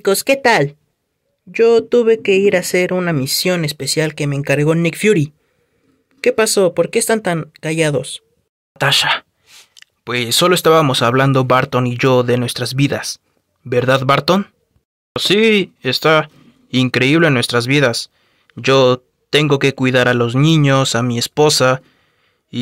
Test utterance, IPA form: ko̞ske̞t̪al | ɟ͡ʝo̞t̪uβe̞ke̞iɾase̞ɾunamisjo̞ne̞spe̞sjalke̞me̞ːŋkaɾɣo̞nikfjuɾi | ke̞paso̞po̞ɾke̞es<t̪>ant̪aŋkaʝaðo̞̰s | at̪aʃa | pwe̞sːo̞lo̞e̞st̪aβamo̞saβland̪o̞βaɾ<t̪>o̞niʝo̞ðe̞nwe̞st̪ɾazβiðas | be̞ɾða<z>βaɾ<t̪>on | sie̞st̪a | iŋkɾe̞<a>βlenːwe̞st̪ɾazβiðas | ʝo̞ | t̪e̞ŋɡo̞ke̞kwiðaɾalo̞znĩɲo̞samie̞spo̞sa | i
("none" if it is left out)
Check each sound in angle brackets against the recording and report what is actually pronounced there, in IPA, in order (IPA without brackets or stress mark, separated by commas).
t̪, t̪, ð, t̪, i